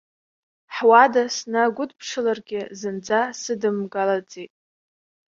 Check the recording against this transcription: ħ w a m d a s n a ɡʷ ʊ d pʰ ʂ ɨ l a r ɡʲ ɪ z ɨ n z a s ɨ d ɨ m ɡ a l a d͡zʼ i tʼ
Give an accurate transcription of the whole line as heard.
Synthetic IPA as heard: ħ w a d a s n a ɡʷ ʊ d pʰ ʂ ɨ l a r ɡʲ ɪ z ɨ n d͡z a s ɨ d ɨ m ɡ a l a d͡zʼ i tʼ